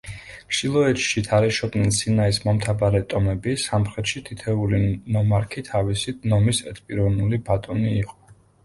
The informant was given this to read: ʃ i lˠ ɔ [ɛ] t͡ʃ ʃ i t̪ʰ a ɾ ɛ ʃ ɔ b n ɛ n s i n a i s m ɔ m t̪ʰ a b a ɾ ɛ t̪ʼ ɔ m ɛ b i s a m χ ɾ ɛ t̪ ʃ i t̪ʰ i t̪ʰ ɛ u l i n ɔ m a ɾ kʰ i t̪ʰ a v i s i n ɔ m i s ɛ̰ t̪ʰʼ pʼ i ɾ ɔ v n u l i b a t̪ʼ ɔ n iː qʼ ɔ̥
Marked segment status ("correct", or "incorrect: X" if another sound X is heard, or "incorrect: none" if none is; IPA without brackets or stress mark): correct